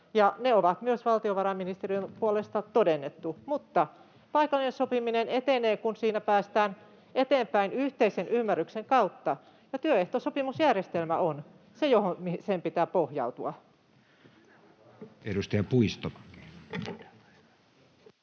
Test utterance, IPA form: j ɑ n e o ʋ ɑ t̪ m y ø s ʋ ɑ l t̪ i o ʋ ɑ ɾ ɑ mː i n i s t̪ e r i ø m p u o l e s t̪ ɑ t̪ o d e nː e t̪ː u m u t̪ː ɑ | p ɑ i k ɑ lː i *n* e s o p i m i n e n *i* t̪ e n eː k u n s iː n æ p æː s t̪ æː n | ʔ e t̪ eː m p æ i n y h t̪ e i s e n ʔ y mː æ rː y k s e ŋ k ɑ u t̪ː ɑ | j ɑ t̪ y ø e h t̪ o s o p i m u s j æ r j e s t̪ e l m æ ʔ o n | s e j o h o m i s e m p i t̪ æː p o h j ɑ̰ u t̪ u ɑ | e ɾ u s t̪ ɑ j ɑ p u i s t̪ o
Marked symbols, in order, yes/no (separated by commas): yes, no